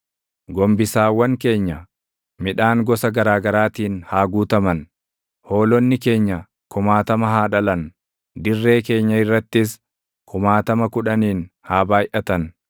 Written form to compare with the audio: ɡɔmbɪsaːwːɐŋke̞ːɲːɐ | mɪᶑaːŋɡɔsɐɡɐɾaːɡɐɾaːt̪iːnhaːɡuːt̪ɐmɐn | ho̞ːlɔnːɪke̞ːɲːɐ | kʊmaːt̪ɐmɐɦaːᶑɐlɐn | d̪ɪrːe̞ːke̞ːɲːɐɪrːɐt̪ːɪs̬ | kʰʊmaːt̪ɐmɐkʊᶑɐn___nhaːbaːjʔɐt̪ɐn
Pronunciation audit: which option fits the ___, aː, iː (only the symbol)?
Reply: iː